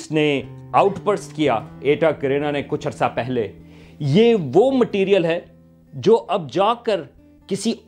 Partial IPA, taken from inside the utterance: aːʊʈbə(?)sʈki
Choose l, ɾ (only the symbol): ɾ